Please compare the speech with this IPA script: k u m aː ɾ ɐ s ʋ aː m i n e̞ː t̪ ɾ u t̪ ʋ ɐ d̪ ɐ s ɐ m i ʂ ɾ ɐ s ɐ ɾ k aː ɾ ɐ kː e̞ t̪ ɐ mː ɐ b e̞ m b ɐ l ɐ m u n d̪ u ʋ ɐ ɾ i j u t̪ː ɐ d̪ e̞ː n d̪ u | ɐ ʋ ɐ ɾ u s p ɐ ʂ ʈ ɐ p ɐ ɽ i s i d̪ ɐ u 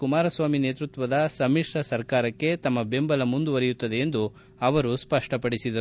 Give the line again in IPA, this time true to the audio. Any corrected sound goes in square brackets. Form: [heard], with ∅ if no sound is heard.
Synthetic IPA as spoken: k u m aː ɾ ɐ s ʋ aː m i n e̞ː t̪ ɾ u t̪ ʋ ɐ d̪ ɐ s ɐ m i ʂ ɾ ɐ s ɐ ɾ k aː ɾ ɐ kː e̞ t̪ ɐ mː ɐ b e̞ m b ɐ l ɐ m u n d̪ u ʋ ɐ ɾ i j u t̪ː ɐ d̪ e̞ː n d̪ u | ɐ ʋ ɐ ɾ u s p ɐ ʂ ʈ ɐ p ɐ ɽ i s i d̪ ɐ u